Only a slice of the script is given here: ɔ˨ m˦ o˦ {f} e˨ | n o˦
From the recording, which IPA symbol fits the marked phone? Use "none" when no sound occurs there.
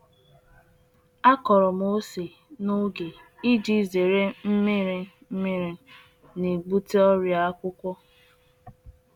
s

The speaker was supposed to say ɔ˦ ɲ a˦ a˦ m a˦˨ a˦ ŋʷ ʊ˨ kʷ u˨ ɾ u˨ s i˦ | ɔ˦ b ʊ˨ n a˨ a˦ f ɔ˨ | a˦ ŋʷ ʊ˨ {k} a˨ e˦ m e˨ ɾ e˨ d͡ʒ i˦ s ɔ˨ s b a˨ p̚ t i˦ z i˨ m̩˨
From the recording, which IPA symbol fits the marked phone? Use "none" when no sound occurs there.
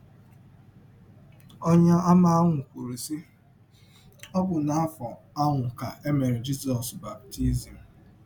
k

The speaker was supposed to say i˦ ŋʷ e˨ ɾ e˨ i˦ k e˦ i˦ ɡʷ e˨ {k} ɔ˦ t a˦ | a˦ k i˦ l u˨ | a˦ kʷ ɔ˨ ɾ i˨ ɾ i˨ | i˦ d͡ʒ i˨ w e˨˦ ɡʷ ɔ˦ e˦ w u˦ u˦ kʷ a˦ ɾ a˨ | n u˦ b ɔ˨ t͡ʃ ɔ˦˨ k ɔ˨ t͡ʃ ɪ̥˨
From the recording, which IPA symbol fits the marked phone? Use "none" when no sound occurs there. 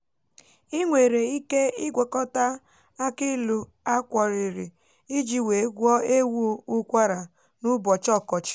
k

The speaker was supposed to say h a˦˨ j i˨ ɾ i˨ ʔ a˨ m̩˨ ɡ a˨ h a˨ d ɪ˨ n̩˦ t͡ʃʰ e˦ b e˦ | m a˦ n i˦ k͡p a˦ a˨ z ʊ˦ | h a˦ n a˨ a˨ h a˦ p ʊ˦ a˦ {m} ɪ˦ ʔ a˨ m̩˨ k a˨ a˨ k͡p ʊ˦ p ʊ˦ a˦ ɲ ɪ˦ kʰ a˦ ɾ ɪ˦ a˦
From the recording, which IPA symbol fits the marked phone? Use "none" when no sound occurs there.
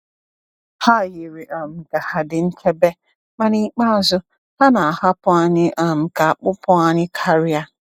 ɲ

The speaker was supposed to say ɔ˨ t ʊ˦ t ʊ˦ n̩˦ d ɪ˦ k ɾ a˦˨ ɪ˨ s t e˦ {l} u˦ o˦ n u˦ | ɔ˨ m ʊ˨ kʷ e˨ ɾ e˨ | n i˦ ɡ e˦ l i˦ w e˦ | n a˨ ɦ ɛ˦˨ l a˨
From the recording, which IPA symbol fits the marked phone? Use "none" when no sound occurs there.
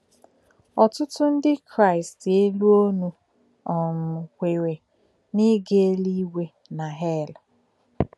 l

